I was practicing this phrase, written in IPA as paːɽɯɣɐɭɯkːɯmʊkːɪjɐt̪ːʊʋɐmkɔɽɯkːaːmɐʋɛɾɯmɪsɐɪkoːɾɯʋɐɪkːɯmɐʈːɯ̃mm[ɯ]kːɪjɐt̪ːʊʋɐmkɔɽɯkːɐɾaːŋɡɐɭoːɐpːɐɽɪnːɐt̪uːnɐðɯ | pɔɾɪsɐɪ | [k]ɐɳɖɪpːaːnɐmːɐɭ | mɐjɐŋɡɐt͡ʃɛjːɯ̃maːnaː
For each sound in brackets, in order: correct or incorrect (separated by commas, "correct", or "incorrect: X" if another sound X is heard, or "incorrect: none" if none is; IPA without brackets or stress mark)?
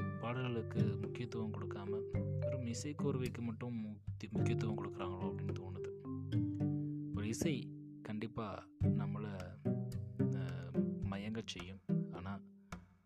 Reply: incorrect: ʊ, correct